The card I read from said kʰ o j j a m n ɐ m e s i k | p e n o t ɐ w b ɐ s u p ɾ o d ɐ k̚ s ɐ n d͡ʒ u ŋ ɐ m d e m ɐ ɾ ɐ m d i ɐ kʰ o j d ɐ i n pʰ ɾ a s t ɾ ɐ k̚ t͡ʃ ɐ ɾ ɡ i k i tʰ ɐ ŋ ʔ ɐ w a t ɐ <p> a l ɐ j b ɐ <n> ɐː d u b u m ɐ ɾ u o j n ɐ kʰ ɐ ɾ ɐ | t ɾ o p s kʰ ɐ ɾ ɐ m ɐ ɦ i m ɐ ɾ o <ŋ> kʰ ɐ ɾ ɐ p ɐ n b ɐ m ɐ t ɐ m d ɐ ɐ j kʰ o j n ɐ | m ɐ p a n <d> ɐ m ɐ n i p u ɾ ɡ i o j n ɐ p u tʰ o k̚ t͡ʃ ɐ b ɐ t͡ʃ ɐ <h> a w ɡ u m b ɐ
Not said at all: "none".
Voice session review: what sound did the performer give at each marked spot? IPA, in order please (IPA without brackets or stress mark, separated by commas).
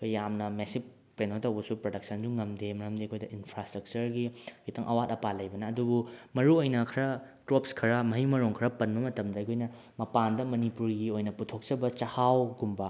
p, n, ŋ, d, h